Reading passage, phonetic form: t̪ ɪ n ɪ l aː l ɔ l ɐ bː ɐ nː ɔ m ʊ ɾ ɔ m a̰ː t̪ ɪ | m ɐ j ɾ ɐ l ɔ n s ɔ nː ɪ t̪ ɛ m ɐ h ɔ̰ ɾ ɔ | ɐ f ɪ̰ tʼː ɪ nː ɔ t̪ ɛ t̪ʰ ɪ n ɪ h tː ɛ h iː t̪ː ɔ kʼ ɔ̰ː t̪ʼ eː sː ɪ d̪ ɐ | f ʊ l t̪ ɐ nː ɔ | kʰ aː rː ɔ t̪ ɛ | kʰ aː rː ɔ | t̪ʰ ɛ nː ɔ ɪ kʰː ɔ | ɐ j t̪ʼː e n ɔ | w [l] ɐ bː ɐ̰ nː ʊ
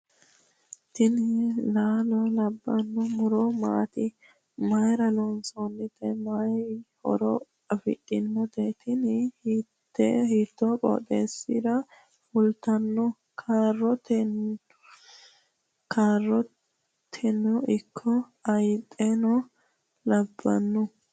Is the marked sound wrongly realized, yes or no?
no